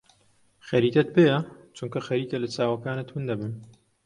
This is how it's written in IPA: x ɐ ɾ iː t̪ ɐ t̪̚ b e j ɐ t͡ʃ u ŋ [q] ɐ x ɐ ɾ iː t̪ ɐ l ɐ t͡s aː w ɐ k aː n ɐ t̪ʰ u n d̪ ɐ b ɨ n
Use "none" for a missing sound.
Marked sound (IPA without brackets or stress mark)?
k